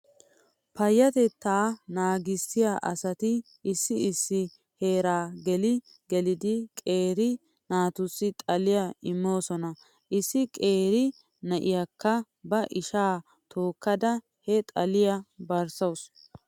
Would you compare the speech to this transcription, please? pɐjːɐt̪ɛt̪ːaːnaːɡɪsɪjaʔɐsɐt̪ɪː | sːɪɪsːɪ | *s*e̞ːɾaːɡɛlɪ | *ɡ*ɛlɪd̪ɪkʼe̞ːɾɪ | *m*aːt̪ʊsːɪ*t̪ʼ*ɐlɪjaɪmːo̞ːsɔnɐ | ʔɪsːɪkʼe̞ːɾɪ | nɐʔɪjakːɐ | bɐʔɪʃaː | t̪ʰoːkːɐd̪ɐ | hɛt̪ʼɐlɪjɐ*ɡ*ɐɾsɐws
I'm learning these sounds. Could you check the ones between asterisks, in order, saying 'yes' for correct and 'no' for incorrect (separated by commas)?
no, yes, no, yes, no